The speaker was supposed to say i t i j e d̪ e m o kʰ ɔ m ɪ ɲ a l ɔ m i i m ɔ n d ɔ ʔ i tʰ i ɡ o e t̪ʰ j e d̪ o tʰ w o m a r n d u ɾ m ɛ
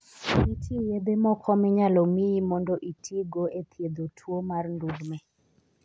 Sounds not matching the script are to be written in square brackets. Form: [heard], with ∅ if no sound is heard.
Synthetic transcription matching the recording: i t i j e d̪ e m [ɔ] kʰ ɔ m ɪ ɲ a l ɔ m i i m ɔ n d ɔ ʔ i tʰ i ɡ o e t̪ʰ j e d̪ o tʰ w o m a r n d u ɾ m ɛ